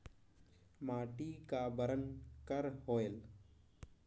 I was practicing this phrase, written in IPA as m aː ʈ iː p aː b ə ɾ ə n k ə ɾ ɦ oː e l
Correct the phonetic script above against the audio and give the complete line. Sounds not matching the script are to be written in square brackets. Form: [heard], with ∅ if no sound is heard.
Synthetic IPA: m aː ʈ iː [k] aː b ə ɾ ə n k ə ɾ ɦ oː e l